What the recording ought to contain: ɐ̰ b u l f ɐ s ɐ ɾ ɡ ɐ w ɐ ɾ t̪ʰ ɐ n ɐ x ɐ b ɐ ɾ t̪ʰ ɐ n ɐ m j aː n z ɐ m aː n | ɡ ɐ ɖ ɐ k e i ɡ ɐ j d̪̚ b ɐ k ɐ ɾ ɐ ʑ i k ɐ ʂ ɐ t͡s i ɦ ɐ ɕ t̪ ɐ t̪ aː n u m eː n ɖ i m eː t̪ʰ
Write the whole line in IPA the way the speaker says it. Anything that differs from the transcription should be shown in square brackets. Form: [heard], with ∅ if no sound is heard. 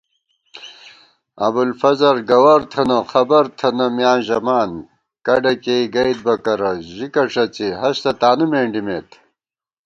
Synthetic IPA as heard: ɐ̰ b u l f ɐ [z] ɐ ɾ ɡ ɐ w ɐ ɾ t̪ʰ ɐ n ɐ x ɐ b ɐ ɾ t̪ʰ ɐ n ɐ m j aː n [ʑ] ɐ m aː n | [k] ɐ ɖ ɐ k e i ɡ ɐ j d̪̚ b ɐ k ɐ ɾ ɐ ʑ i k ɐ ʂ ɐ t͡s i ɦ ɐ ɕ t̪ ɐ t̪ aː n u m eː [ɳ] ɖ i m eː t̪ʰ